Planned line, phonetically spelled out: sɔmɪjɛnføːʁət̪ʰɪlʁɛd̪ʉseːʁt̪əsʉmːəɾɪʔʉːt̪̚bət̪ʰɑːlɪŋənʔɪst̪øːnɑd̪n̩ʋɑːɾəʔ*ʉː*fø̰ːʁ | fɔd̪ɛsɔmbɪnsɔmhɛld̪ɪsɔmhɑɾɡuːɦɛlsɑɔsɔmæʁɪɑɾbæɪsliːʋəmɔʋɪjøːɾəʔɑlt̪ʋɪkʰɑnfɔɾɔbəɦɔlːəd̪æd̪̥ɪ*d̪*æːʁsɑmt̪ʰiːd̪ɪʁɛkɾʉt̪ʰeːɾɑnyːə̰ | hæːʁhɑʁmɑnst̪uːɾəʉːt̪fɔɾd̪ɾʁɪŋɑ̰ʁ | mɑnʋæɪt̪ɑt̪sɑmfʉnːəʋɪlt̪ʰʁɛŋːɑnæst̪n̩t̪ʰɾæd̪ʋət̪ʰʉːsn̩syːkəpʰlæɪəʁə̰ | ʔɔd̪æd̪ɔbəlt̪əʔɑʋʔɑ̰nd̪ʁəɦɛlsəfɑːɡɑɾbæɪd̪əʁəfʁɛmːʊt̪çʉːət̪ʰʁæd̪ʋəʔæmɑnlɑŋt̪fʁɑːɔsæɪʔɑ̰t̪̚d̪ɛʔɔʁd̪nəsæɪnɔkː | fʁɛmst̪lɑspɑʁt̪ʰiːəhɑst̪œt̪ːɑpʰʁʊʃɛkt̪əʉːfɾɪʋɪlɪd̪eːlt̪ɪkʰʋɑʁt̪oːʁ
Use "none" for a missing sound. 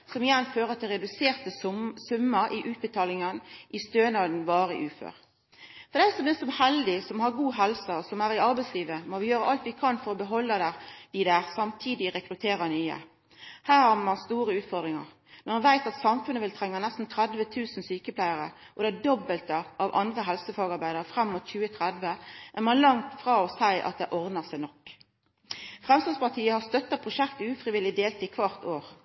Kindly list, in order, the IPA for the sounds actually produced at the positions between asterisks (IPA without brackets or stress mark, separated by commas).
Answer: ʉː, d̪